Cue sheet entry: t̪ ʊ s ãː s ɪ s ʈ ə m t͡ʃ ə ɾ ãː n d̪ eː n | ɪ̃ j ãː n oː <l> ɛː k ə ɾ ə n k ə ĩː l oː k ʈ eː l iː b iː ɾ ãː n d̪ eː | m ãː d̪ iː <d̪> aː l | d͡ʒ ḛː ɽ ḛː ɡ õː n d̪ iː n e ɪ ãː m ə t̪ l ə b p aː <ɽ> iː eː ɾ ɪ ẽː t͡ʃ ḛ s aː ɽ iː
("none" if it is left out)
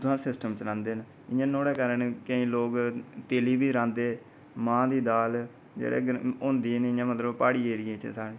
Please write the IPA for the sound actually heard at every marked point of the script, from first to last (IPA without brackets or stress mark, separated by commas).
ɽ, d̪, ɽ